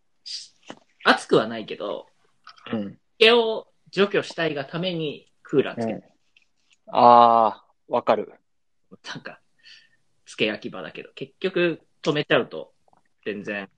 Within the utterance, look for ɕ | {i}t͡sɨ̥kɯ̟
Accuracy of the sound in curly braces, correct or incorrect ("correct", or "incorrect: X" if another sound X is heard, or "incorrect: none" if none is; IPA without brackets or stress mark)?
incorrect: a